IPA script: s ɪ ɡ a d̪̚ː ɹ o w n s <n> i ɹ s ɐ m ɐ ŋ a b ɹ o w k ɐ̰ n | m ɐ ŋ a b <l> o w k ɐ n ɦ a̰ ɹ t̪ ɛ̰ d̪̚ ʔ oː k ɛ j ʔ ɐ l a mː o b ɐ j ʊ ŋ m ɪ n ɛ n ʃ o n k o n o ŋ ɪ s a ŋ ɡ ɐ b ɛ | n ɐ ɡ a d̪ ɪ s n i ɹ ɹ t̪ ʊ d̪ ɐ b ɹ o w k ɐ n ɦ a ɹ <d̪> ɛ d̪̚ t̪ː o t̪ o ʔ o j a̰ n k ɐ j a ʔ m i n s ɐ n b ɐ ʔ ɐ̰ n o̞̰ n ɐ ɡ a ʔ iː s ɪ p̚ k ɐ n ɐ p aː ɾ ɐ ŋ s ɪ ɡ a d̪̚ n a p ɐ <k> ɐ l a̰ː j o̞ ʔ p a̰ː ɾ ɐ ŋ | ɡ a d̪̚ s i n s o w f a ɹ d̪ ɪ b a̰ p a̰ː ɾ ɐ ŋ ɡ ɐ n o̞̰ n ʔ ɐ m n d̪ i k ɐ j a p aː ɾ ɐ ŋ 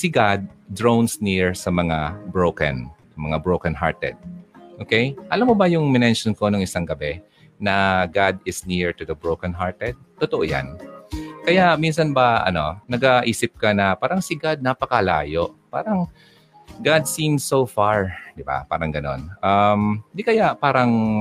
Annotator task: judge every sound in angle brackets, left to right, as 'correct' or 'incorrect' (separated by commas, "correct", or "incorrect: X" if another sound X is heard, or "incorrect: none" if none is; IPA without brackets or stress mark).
correct, incorrect: ɹ, incorrect: t̪, correct